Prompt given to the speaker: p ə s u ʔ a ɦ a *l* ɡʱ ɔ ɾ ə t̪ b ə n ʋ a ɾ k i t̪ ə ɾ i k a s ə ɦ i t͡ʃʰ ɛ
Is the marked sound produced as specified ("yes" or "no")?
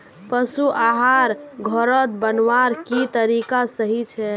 no